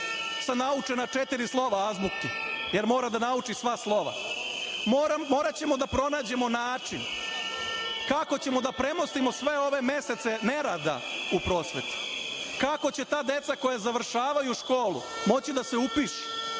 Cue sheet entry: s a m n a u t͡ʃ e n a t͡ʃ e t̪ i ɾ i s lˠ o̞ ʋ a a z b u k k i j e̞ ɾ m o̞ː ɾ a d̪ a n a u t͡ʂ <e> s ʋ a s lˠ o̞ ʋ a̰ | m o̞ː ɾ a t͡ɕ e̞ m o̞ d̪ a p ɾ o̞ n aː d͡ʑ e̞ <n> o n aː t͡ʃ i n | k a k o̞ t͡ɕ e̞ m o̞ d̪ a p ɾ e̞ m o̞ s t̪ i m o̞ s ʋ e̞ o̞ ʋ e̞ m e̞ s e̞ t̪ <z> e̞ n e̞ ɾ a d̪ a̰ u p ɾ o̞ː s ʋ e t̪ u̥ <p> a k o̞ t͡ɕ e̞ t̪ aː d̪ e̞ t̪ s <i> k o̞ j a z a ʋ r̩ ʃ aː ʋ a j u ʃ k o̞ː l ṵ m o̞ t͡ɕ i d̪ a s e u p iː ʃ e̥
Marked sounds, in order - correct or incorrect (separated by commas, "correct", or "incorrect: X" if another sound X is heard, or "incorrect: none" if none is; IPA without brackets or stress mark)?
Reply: incorrect: i, incorrect: m, incorrect: s, incorrect: k, incorrect: a